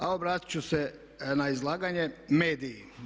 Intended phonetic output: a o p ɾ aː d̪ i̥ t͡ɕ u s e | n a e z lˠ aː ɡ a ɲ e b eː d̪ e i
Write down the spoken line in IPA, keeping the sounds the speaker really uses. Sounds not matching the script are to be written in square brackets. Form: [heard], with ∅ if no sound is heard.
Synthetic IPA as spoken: a o [b] ɾ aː [t̪] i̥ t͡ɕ u s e | n a [i] z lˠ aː ɡ a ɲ e [m] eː d̪ [i] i